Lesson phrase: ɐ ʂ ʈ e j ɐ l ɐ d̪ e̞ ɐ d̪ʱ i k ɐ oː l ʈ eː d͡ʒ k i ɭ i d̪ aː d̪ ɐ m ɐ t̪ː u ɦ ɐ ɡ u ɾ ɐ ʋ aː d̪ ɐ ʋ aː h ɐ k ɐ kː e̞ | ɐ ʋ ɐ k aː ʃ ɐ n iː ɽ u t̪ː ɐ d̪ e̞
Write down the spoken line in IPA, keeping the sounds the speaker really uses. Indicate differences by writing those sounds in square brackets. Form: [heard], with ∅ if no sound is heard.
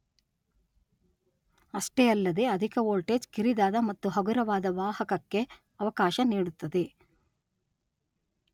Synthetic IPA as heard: ɐ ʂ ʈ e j ɐ [lː] ɐ d̪ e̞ ɐ d̪ʱ i k ɐ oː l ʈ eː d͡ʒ k i [ɾ] i d̪ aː d̪ ɐ m ɐ t̪ː u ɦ ɐ ɡ u ɾ ɐ ʋ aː d̪ ɐ ʋ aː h ɐ k ɐ kː e̞ | ɐ ʋ ɐ k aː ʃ ɐ n iː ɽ u t̪ː ɐ d̪ e̞